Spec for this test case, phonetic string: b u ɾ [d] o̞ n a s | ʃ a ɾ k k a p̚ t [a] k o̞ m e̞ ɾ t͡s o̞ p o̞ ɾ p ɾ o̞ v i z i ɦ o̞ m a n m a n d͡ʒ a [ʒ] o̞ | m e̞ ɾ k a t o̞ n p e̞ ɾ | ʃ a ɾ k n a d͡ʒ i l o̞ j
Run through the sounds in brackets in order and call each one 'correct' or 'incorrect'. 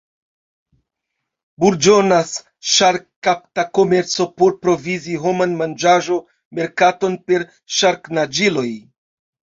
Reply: incorrect: d͡ʒ, correct, correct

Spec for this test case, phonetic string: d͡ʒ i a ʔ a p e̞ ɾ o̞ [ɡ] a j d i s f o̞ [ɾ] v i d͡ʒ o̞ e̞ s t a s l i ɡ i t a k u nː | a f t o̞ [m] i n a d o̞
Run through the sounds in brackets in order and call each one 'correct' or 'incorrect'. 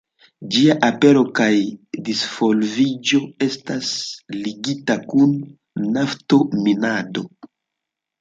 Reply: incorrect: k, incorrect: l, correct

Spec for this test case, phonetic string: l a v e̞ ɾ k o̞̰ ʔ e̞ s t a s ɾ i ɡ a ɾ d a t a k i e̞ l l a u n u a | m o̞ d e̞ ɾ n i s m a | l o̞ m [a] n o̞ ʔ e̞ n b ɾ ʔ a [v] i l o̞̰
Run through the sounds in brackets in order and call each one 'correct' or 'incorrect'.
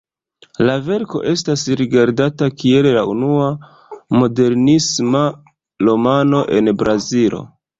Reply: correct, incorrect: z

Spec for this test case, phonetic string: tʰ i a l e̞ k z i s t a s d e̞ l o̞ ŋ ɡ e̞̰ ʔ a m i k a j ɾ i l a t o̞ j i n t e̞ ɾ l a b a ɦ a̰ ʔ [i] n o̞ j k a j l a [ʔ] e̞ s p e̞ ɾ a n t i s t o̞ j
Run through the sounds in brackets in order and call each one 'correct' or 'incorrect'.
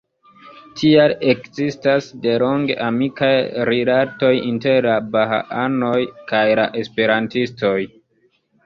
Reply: incorrect: a, correct

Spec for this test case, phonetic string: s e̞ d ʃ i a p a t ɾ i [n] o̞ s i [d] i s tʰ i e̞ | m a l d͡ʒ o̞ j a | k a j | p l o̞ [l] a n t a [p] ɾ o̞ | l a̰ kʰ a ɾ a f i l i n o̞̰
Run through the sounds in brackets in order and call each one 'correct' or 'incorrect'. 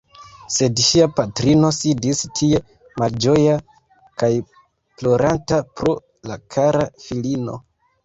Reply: correct, correct, incorrect: ɾ, correct

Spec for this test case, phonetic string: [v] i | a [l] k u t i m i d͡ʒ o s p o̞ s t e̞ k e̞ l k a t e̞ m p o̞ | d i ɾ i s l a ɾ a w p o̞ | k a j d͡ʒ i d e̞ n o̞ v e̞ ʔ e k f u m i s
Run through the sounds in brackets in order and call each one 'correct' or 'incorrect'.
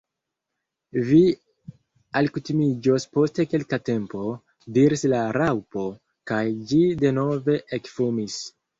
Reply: correct, correct

